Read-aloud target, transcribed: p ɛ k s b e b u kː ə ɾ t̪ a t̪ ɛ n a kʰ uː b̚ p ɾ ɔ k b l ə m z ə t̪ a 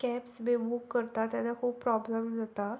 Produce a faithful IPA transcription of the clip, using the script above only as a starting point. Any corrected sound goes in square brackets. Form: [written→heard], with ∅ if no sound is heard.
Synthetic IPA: [p→k] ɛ [k→p] s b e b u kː ə ɾ t̪ a t̪ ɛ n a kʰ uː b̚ p ɾ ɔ [k→∅] b l ə m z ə t̪ a

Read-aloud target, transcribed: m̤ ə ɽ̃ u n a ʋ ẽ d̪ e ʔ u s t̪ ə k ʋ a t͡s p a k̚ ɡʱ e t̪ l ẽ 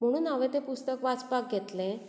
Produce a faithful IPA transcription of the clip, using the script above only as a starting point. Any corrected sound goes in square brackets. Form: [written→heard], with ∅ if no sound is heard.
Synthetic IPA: m̤ ə ɽ̃ [u→uː] n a ʋ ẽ [d̪→t̪] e [ʔ→p] u s t̪ ə k ʋ a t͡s p a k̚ ɡʱ e t̪ l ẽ

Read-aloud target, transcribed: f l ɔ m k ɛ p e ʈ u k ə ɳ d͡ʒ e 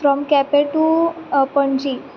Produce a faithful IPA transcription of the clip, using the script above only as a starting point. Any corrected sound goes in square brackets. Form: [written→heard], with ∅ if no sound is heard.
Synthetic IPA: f [l→ɾ] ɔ m k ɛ p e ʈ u [k→p] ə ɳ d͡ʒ [e→i]

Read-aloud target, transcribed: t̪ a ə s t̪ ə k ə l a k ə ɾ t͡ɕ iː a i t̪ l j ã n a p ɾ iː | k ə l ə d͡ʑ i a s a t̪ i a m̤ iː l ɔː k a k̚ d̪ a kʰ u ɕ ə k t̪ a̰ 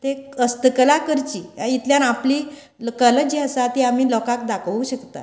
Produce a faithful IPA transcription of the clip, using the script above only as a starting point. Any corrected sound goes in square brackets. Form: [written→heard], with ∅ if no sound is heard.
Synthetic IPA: t̪ [a→e] ə s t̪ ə k ə l a k ə ɾ t͡ɕ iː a i t̪ l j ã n a p [ɾ→l] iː | k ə l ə d͡ʑ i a s a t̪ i a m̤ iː l [ɔː→ɔ] k a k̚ d̪ a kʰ u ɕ ə k t̪ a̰

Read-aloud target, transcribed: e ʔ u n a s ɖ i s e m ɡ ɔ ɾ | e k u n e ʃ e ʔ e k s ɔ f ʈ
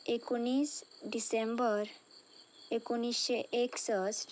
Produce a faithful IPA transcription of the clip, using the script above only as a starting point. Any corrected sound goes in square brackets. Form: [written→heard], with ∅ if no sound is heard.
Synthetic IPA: e [ʔ→k] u n [a→i] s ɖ i s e m [ɡ→b] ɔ ɾ | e k u n [e→i] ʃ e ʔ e k s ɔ [f→s] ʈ

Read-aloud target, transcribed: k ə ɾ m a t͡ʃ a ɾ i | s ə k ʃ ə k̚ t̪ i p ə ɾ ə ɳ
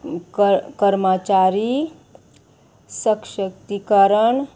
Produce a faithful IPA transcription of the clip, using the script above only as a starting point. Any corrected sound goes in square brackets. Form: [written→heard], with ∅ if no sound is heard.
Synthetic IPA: k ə ɾ m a t͡ʃ a ɾ i | s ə k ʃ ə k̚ t̪ i [p→k] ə ɾ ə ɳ

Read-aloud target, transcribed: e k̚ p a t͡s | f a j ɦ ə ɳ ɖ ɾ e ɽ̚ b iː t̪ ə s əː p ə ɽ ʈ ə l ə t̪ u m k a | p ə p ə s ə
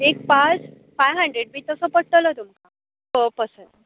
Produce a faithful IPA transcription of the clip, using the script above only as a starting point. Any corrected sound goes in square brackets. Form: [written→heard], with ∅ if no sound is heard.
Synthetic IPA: e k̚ p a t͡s | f a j ɦ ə ɳ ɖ ɾ e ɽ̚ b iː t̪ ə s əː p ə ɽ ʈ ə l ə t̪ u m k a | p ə p ə s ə

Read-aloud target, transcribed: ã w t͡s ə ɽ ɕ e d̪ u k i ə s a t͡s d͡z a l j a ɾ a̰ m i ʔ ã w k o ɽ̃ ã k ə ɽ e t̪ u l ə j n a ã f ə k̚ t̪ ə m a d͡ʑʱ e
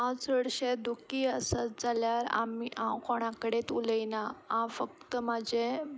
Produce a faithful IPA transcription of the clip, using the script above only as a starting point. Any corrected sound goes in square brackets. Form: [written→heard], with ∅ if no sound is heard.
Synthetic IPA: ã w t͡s ə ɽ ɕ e d̪ u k i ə s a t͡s d͡z a l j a ɾ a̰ m i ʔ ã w k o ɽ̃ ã k ə ɽ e t̪ u l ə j n a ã f ə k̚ t̪ ə m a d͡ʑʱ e

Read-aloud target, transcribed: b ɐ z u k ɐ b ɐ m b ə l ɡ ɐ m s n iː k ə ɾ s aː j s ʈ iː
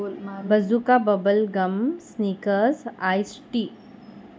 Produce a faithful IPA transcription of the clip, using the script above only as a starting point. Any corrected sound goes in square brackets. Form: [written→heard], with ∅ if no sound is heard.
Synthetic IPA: b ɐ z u k [ɐ→a] b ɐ [m→∅] b ə l ɡ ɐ m s n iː k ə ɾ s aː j s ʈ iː

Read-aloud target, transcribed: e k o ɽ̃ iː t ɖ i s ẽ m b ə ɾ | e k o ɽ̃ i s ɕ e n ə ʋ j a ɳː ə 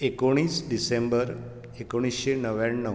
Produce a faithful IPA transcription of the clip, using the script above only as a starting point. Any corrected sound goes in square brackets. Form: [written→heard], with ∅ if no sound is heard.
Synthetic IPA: e k o ɽ̃ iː [t→s] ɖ i s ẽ m b ə ɾ | e k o ɽ̃ i s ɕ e n ə ʋ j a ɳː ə

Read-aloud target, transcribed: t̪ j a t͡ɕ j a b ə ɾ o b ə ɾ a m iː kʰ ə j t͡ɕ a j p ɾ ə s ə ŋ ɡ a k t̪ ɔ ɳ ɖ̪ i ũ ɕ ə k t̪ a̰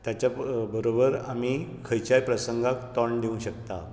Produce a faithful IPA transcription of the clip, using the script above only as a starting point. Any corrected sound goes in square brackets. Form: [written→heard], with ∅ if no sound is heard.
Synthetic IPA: t̪ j a t͡ɕ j a b ə ɾ o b ə ɾ a m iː kʰ ə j t͡ɕ a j p ɾ ə s ə ŋ ɡ a k t̪ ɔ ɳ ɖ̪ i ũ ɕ ə k t̪ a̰

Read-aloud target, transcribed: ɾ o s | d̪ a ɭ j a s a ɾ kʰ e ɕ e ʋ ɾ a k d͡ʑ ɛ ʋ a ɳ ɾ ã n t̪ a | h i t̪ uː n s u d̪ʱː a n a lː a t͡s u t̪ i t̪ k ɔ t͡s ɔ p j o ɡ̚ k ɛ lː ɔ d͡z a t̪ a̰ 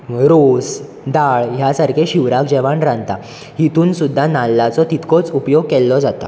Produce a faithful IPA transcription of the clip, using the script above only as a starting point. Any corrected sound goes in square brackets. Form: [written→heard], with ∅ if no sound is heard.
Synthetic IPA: ɾ o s | d̪ a ɭ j a s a ɾ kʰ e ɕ [e→i] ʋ ɾ a k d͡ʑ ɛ ʋ a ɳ ɾ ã n t̪ a | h i t̪ uː n s u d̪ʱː a n a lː a t͡s [u→ɔ] t̪ i t̪ k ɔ t͡s [ɔ→u] p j o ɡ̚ k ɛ lː ɔ d͡z a t̪ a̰

